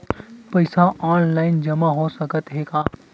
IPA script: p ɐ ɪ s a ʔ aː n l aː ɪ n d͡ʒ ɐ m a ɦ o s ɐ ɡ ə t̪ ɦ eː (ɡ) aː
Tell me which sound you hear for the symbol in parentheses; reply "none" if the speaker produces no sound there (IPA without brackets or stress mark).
k